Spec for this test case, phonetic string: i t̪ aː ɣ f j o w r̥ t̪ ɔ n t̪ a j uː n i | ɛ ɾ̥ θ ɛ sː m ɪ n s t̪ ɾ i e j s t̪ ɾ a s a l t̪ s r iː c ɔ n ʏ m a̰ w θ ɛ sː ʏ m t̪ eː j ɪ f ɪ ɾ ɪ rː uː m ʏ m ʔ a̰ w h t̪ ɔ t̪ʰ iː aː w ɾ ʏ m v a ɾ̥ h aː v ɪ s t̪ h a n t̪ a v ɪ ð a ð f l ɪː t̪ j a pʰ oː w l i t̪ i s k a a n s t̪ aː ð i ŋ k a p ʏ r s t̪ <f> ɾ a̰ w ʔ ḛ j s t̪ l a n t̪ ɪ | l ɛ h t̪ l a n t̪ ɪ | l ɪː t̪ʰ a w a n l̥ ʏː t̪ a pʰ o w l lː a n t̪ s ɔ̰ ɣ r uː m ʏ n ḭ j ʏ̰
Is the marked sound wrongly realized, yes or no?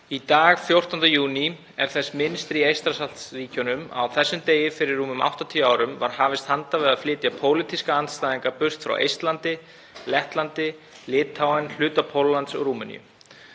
no